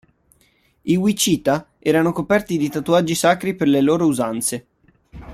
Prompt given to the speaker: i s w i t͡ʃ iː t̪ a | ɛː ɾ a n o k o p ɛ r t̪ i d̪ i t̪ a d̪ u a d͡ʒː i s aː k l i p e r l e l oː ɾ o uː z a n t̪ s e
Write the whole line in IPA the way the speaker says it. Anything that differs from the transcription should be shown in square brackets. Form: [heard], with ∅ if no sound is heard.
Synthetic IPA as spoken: i [∅] w i t͡ʃ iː t̪ a | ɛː ɾ a n o k o p ɛ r t̪ i d̪ i t̪ a [t̪] u a d͡ʒː i s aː k [ɾ] i p e r l e l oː ɾ o [u] z a n t̪ s e